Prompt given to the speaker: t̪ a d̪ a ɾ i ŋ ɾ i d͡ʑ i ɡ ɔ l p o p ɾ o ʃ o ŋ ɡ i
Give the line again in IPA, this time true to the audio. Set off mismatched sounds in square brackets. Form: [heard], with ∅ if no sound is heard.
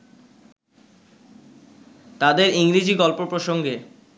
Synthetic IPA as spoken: t̪ a d̪ [e] ɾ i ŋ ɾ i d͡ʑ i ɡ ɔ l p o p ɾ o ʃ o ŋ ɡ [e]